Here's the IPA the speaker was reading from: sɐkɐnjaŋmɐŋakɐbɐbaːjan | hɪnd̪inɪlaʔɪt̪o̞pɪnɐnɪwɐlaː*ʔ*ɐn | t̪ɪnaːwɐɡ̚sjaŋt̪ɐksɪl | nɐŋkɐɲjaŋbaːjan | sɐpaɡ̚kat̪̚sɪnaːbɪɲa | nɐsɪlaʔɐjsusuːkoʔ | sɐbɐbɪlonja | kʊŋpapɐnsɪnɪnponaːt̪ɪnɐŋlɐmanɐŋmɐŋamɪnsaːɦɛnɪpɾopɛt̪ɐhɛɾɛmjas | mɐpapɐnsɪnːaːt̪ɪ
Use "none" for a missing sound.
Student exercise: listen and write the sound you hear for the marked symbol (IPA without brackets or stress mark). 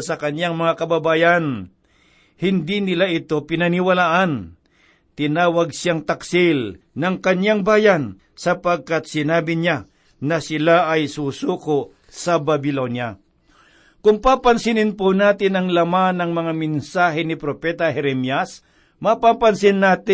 ʔ